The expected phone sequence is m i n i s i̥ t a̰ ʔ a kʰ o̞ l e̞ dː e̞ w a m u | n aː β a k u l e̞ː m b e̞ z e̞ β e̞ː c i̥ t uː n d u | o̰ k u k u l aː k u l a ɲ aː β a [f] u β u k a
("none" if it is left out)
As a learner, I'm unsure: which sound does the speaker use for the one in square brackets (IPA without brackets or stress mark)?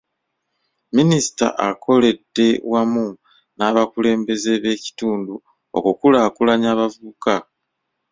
v